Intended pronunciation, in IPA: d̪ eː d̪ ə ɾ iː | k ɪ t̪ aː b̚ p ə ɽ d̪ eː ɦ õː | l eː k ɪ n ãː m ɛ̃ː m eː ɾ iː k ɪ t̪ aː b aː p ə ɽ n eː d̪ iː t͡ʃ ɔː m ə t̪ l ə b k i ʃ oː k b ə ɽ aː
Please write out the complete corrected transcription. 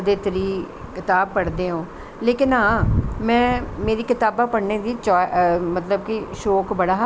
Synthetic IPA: d̪ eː t̪ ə ɾ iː | k ɪ t̪ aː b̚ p ə ɽ d̪ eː ɦ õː | l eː k ɪ n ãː m ɛ̃ː m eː ɾ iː k ɪ t̪ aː b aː p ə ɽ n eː d̪ iː t͡ʃ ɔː m ə t̪ l ə b k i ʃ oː k b ə ɽ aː